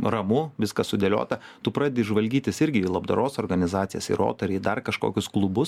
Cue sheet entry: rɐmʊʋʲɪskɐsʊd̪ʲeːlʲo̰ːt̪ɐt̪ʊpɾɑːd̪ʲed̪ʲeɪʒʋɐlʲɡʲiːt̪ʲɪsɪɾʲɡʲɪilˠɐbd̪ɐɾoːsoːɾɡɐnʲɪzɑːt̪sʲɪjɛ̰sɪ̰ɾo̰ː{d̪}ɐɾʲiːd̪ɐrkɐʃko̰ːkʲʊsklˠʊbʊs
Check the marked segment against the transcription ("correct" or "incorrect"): incorrect